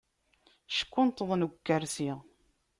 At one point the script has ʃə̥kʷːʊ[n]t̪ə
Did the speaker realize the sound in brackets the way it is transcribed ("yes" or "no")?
yes